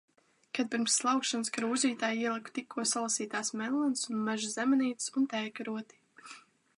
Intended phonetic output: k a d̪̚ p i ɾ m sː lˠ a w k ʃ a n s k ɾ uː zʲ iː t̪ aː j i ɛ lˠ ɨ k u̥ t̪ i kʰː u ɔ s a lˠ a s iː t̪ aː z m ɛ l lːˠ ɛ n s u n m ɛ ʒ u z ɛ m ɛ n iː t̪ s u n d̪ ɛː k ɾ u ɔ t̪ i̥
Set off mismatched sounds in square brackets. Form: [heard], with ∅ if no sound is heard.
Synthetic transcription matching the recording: k a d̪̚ p i ɾ m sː lˠ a w k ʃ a n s k ɾ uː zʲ iː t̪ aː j i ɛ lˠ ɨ k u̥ t̪ i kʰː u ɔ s a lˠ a s iː t̪ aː [s] m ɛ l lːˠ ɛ n s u n m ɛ ʒ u z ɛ m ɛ n iː t̪ s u n [t̪] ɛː k ɾ u ɔ t̪ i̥